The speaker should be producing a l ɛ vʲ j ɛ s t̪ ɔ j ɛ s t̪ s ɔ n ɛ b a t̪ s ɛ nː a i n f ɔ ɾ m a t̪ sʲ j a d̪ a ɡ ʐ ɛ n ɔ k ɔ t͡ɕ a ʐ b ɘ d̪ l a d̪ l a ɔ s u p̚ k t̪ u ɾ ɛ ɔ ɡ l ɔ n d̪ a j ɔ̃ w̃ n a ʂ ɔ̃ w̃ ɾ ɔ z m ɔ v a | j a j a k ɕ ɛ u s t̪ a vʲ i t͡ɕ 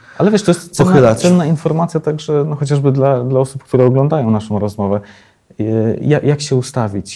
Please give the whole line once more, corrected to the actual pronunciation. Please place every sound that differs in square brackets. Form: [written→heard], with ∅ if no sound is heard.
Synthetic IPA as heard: a l ɛ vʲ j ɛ [s→ʂ] t̪ ɔ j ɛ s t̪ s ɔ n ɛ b a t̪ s ɛ nː a i n f ɔ ɾ m a t̪ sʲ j a [d̪→t̪] a ɡ ʐ ɛ n ɔ [k→x] ɔ t͡ɕ a ʐ b ɘ d̪ l a d̪ l a ɔ s u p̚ k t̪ u ɾ ɛ ɔ ɡ l ɔ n d̪ a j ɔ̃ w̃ n a ʂ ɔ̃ w̃ ɾ ɔ z m ɔ v [a→ɛ] | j a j a k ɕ ɛ u s t̪ a vʲ i t͡ɕ